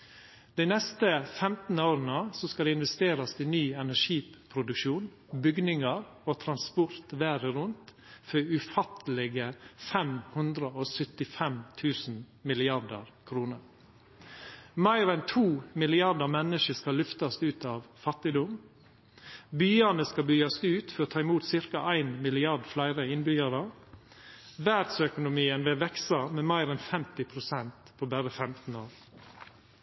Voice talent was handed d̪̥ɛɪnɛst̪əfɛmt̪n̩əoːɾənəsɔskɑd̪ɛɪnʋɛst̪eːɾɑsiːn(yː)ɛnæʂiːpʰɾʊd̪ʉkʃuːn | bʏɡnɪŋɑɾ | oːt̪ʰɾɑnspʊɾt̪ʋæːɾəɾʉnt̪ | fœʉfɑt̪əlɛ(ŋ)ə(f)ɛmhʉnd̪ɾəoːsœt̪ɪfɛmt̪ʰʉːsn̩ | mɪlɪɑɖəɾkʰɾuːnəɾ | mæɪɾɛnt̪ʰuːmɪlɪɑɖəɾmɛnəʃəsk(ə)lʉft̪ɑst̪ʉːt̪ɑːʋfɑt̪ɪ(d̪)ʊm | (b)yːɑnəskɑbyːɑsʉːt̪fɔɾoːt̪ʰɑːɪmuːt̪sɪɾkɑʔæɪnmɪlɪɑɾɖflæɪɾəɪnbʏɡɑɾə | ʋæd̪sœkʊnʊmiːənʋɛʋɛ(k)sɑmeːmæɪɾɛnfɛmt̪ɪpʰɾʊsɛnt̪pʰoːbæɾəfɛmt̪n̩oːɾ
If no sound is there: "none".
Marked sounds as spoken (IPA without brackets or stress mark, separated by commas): yː, ɡ, f, ɑ, d̪, b, k